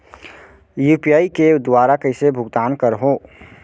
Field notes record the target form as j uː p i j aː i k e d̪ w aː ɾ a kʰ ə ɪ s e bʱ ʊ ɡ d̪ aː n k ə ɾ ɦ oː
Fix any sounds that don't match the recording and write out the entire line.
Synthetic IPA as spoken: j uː p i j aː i k e d̪ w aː ɾ a k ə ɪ s e bʱ ʊ ɡ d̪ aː n k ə ɾ ɦ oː

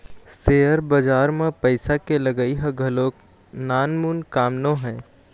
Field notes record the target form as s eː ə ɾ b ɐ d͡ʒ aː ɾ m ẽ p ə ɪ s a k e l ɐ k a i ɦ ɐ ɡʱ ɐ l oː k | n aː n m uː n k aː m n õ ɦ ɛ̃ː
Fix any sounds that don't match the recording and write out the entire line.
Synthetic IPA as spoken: s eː ə ɾ b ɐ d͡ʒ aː ɾ m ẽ p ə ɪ s a k e l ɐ ɡ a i ɦ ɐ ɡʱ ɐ l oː k | n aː n m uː n k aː m n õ ɦ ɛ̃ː

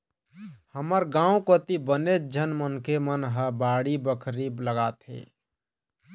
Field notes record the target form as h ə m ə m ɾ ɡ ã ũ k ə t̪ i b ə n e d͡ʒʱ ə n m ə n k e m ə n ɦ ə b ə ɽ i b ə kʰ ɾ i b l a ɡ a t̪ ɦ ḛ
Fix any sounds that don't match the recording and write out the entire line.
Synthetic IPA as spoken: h ə m ə ɾ ɡ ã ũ k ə t̪ i b ə n e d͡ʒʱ ə n m ə n k e m ə n ɦ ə b a ɽ i b ə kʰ ɾ i b l ə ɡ a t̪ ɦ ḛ

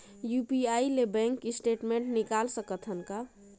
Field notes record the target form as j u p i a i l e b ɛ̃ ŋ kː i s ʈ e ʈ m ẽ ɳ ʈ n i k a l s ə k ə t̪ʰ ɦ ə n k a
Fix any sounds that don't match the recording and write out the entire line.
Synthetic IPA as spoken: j u p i a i l e b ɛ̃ ŋ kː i s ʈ e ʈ m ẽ ɳ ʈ n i k a l s ə k ə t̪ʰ ɦ ə n k a

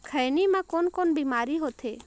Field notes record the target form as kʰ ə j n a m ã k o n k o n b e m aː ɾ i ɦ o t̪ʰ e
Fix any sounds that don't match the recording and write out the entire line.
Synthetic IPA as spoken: kʰ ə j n i m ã k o n k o n b i m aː ɾ i ɦ o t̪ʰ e

